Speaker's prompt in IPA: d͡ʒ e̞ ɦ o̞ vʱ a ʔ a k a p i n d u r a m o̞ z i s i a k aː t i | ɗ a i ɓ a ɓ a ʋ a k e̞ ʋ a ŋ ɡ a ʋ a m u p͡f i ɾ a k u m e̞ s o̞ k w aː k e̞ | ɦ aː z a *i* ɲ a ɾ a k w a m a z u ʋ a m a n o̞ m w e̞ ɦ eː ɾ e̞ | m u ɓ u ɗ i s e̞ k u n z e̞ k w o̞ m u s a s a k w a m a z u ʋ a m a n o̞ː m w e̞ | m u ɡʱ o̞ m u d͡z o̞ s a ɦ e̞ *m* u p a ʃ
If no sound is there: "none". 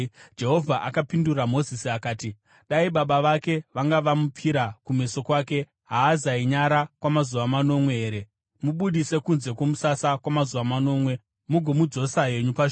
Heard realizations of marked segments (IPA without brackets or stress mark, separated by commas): i, ɲ